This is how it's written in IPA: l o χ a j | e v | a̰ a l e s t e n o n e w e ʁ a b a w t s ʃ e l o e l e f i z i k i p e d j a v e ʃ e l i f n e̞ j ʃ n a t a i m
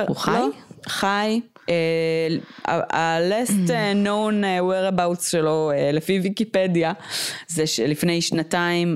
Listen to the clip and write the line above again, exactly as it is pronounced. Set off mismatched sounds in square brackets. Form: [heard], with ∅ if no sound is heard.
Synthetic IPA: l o χ a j | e [∅] | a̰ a l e s t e n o n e w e ʁ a b a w t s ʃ e l o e l e f i [v] i k i p e d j a [z] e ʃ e l i f n e̞ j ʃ n a t a i m